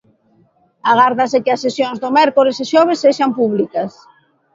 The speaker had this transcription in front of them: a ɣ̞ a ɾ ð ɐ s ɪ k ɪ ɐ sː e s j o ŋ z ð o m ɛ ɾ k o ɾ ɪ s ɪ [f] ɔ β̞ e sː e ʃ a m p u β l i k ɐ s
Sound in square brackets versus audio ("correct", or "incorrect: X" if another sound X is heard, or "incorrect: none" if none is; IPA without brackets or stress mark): incorrect: ʃ